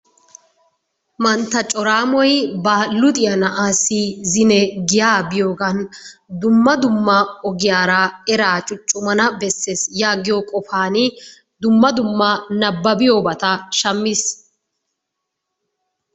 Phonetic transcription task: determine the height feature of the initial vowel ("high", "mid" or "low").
low